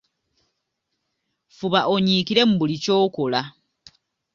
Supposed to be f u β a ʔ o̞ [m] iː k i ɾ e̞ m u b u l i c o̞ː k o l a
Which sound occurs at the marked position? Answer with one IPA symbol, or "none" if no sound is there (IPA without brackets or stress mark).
ɲ